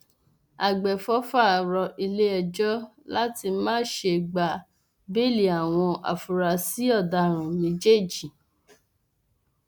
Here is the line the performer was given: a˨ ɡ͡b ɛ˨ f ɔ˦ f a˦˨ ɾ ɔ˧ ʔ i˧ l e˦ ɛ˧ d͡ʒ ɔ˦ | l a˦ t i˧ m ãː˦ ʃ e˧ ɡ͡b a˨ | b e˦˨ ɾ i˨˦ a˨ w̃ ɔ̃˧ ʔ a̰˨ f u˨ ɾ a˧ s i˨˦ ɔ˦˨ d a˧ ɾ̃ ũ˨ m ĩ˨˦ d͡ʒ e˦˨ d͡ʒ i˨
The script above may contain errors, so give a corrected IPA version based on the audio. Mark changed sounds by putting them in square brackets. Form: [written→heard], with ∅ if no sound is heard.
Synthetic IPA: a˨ ɡ͡b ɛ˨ f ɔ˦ f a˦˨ ɾ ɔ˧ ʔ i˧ l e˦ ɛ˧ d͡ʒ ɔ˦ | l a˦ t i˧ m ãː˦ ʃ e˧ ɡ͡b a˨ | b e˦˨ [ɾ→l] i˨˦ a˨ w̃ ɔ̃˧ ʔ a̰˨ f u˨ ɾ a˧ s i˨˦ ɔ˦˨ d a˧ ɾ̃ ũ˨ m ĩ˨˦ d͡ʒ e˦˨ d͡ʒ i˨

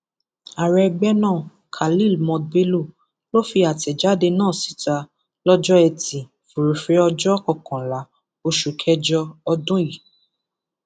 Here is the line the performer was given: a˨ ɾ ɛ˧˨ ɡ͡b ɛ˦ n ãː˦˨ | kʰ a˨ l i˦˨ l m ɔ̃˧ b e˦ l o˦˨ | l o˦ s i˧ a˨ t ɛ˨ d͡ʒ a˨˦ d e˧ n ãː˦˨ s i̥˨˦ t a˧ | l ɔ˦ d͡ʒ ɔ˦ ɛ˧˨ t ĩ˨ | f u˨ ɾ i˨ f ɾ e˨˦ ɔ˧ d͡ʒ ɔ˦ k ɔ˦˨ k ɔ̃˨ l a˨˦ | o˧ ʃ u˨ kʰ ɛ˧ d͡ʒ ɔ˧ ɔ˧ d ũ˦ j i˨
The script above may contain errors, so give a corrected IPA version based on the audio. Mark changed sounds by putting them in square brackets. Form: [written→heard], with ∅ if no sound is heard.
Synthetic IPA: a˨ ɾ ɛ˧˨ ɡ͡b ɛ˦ n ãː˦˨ | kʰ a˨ l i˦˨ l m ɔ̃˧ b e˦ l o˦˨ | l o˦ [s→f] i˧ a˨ t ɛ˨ d͡ʒ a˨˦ d e˧ n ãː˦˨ s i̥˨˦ t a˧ | l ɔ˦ d͡ʒ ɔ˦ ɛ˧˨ t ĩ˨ | f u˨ ɾ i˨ f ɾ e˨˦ ɔ˧ d͡ʒ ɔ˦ k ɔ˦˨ k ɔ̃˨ l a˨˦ | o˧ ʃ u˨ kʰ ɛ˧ d͡ʒ ɔ˧ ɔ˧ d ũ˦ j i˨

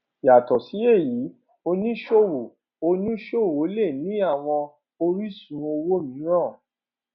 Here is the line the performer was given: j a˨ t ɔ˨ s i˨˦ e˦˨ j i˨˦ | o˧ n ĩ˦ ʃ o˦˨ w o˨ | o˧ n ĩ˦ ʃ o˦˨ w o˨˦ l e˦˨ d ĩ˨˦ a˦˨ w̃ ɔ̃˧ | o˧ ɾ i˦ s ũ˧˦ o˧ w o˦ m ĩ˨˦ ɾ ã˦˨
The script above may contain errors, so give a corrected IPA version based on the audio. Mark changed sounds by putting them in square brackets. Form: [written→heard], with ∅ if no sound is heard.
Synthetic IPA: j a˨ t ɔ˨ s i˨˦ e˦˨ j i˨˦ | o˧ n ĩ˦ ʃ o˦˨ w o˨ | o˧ n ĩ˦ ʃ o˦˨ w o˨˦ l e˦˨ [d→n] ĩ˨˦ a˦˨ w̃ ɔ̃˧ | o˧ ɾ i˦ s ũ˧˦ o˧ w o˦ m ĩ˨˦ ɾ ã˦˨

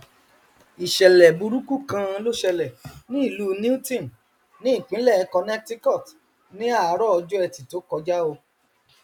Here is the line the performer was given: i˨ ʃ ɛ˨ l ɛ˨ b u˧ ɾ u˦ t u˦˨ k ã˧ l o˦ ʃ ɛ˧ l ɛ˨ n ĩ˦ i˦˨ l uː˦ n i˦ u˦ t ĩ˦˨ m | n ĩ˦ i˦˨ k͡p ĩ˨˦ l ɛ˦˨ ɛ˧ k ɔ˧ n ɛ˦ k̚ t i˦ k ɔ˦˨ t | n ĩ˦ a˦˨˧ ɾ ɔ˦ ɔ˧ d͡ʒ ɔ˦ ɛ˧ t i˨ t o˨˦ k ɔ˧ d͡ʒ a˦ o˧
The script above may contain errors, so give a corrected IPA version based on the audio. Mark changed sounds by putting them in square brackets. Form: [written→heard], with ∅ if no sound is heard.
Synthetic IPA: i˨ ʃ ɛ˨ l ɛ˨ b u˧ ɾ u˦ [t→k] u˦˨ k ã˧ l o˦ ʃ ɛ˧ l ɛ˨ n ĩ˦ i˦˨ l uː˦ n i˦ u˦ t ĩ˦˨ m | n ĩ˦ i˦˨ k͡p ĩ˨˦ l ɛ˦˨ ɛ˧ k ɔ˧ n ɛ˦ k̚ t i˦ k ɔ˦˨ t | n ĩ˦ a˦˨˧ ɾ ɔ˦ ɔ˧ d͡ʒ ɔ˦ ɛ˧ t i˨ t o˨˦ k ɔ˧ d͡ʒ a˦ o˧

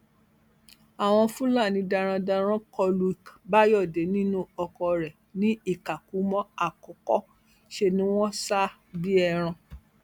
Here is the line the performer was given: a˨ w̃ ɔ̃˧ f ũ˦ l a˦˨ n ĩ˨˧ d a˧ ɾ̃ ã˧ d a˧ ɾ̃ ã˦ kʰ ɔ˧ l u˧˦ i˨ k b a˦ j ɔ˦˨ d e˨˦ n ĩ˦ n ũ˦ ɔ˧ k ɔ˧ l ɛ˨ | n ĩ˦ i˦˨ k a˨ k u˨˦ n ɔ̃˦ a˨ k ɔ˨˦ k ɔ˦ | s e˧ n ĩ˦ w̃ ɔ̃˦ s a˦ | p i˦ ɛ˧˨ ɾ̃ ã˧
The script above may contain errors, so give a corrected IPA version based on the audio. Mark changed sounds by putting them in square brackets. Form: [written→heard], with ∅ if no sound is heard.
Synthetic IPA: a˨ w̃ ɔ̃˧ f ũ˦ l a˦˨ n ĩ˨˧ d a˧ ɾ̃ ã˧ d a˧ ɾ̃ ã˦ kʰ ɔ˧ l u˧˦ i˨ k b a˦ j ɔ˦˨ d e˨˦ n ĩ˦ n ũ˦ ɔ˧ k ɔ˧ [l→ɾ] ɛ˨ | n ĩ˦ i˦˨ k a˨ k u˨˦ [n→m] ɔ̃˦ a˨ k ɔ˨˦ k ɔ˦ | [s→ʃ] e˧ n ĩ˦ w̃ ɔ̃˦ s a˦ | [p→b] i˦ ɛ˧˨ ɾ̃ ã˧

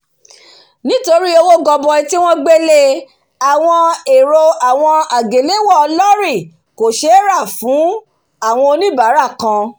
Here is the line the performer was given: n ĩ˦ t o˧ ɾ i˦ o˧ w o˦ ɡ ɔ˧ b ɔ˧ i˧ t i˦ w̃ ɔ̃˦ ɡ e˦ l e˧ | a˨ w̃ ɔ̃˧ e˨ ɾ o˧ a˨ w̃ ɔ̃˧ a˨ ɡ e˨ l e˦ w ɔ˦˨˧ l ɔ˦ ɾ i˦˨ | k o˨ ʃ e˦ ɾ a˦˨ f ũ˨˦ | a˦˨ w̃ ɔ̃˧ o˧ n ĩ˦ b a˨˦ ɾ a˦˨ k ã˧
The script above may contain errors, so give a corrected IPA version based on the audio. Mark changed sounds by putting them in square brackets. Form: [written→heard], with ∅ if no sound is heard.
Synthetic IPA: n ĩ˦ t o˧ ɾ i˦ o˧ w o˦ ɡ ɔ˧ b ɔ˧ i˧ t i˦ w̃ ɔ̃˦ [ɡ→ɡ͡b] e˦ l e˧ | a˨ w̃ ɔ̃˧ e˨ ɾ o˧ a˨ w̃ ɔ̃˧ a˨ ɡ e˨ l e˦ w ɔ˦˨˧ l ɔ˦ ɾ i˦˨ | k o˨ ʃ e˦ ɾ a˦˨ f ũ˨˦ | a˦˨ w̃ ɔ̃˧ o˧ n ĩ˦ b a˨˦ ɾ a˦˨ k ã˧

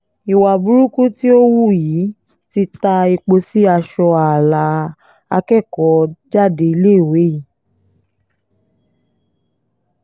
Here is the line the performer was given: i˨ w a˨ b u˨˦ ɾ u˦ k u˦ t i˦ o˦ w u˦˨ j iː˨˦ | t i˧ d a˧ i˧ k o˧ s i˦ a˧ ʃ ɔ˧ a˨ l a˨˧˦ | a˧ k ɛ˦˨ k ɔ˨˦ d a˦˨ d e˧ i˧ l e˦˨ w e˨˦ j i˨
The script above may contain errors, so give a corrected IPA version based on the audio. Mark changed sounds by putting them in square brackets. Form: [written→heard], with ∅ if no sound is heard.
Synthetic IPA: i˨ w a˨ b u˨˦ ɾ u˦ k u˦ t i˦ o˦ w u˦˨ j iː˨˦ | t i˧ [d→t] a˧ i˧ [k→k͡p] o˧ s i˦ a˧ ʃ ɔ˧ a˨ l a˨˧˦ | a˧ k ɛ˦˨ k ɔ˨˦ [d→d͡ʒ] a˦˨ d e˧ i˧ l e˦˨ w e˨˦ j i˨

